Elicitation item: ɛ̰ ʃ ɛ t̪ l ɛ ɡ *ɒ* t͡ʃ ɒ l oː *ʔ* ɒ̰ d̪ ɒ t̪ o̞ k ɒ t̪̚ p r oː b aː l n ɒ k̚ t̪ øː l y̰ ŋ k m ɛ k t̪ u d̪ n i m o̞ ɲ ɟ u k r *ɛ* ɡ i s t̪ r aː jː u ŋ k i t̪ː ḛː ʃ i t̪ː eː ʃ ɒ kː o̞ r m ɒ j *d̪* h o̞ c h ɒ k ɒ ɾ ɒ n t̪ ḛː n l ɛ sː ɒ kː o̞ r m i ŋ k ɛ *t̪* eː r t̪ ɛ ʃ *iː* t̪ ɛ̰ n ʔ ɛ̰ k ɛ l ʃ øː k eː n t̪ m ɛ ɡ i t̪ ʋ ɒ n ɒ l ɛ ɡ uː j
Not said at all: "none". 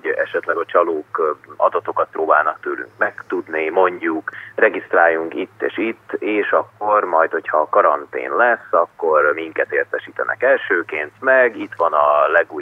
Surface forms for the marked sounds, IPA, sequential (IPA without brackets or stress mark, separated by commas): ɒ, k, ɛ, t̪, t̪, iː